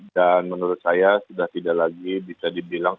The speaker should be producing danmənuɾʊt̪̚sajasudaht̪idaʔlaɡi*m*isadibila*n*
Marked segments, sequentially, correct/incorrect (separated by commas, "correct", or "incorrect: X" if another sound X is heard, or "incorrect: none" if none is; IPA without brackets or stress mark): incorrect: b, incorrect: ŋ